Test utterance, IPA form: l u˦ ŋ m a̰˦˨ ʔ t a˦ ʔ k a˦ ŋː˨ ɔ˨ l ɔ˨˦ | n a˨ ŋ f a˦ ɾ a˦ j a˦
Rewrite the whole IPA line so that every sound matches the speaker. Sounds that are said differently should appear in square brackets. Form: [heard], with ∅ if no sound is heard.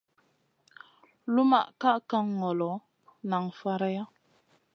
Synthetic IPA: l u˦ [∅] m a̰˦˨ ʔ [k] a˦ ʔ k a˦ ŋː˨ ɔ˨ l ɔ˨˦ | n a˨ ŋ f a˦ ɾ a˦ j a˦

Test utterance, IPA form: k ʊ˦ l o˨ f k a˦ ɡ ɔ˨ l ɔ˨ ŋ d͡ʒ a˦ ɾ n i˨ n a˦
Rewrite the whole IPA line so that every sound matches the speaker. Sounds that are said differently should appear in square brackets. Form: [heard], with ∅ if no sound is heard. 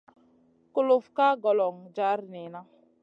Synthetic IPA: k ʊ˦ l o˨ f k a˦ ɡ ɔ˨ l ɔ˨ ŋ d͡ʒ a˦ ɾ n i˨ n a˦

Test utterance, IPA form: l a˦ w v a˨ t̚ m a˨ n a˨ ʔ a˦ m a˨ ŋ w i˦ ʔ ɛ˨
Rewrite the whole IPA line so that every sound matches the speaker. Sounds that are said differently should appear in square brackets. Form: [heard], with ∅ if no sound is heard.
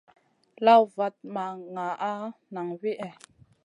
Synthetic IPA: l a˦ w v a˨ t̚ m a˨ [ŋ] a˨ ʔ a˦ [n] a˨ ŋ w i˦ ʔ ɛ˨

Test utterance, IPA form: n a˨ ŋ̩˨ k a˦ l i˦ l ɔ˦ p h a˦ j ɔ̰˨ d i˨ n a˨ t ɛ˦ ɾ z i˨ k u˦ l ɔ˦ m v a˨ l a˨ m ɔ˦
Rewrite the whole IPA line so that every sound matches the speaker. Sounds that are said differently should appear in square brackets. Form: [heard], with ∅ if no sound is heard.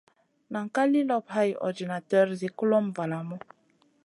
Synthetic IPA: n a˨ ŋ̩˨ k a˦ l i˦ l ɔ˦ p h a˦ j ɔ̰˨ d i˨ n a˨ t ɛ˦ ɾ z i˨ k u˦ l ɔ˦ m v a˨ l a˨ m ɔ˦

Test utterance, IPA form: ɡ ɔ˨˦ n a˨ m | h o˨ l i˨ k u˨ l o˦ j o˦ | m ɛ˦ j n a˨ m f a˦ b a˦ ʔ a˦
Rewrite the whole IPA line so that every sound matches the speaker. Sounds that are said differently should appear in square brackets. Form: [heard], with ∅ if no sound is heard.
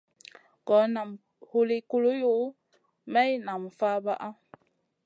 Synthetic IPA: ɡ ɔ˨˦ n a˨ m | h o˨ l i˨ k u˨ l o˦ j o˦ | m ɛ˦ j n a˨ m f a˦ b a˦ ʔ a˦

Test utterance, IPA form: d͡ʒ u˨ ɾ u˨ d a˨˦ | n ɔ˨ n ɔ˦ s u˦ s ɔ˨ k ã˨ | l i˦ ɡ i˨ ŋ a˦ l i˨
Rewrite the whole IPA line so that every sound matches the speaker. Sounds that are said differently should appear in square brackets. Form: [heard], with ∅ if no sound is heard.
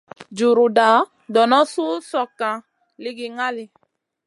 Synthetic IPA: d͡ʒ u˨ ɾ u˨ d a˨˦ | [d] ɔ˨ n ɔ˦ s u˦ s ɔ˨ k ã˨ | l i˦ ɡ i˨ ŋ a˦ l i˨

